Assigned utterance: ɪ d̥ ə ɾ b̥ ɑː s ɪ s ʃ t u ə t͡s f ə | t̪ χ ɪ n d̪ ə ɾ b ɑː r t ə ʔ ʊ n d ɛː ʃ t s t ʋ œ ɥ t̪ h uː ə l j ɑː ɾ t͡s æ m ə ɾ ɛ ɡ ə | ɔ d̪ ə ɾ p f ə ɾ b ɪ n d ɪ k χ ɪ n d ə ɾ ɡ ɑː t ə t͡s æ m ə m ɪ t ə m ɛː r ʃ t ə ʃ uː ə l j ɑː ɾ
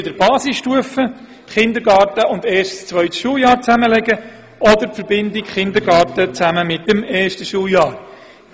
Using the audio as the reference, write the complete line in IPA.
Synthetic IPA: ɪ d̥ ə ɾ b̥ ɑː s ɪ s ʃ t u ə f ə | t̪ χ ɪ n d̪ ə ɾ ɡ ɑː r t ə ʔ ʊ n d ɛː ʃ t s t͡s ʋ œ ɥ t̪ ʃ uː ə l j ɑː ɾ t͡s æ m ə l ɛ ɡ ə | ɔ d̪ ə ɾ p f ə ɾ b ɪ n d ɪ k χ ɪ n d ə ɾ ɡ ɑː t ə t͡s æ m ə m ɪ t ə m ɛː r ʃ t ə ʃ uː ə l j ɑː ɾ